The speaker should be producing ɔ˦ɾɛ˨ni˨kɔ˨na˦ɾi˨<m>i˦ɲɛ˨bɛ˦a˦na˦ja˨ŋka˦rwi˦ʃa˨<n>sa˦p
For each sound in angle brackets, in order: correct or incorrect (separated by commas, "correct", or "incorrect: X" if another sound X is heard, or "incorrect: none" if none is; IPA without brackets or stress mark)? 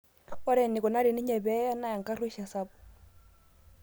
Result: incorrect: n, incorrect: none